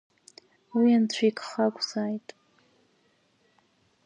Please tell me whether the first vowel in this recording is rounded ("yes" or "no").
no